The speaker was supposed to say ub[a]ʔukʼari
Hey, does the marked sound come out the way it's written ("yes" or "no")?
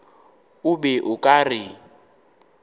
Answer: no